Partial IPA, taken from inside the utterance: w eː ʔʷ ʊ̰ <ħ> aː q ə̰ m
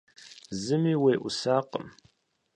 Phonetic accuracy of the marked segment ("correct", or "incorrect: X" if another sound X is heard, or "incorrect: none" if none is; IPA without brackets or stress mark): incorrect: s